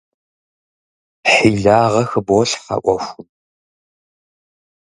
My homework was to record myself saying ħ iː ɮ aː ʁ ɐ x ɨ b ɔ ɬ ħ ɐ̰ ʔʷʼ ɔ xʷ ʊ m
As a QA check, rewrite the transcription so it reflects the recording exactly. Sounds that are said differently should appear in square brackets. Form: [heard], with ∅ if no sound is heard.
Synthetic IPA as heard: ħ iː ɮ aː ʁ ɐ x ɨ b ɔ ɬ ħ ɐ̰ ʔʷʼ ɔ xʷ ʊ m